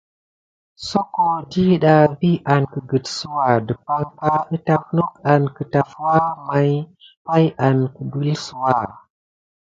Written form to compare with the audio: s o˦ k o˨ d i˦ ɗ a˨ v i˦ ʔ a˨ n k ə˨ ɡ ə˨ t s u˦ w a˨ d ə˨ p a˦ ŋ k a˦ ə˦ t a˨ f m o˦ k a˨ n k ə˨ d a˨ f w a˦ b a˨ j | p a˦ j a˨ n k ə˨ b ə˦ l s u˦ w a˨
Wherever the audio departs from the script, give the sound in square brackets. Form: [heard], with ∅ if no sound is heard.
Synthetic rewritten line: s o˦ k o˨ d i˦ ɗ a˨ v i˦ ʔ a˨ n k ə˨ ɡ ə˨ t s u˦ w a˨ d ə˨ p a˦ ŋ k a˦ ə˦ t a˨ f [n] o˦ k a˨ n k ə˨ [t] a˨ f w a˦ [m] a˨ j | p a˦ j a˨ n k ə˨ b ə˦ l s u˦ w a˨